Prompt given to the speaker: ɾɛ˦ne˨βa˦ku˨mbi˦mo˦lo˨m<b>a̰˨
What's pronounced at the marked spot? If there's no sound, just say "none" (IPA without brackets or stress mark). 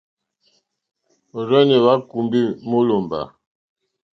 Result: b